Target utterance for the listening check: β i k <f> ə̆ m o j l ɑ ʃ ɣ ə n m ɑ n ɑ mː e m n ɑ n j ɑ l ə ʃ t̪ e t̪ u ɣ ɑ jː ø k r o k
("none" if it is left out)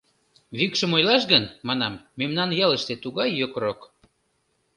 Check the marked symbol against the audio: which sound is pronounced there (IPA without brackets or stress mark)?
ʃ